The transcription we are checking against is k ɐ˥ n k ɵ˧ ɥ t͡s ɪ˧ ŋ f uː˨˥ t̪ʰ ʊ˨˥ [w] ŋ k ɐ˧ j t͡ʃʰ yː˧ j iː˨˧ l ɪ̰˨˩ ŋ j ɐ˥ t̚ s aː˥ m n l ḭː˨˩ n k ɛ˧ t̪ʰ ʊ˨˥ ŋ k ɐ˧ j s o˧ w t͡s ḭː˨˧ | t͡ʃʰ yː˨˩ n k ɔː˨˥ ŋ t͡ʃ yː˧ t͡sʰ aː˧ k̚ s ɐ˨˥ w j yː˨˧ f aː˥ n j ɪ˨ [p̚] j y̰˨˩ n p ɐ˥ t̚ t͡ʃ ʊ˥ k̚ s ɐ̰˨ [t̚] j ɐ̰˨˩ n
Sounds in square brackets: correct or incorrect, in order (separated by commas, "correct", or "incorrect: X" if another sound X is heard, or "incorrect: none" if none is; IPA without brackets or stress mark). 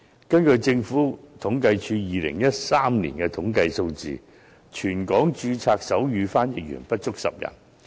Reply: incorrect: none, incorrect: k̚, incorrect: p̚